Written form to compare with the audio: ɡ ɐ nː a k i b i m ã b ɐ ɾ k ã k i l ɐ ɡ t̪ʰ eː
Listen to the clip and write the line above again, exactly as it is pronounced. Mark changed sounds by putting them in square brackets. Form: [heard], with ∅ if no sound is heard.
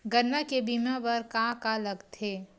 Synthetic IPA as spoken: ɡ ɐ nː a k [e] b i m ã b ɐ ɾ k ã k [a] l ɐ ɡ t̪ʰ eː